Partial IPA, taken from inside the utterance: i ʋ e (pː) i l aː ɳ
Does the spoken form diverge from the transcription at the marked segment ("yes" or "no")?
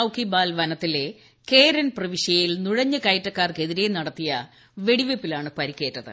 no